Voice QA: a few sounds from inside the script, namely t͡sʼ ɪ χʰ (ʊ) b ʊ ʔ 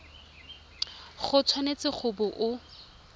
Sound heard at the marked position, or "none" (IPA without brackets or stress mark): ʊ